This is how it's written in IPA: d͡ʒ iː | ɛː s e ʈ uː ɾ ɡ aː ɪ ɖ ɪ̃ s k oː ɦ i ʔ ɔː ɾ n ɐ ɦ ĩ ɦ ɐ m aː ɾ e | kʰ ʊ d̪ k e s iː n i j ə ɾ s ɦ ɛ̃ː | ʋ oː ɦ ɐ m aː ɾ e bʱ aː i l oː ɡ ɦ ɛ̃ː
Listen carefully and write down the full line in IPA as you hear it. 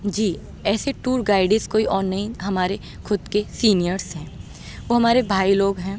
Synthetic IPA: d͡ʒ iː | ɛː s e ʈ uː ɾ ɡ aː ɪ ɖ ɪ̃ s k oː i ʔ ɔː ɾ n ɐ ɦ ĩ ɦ ɐ m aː ɾ e | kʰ ʊ d̪ k e s iː n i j ə ɾ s ɦ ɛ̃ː | ʋ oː ɦ ɐ m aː ɾ e bʱ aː i l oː ɡ ɦ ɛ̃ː